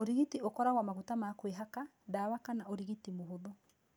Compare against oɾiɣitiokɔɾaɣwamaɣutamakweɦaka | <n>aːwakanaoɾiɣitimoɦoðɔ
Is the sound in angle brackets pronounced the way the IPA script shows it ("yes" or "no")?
no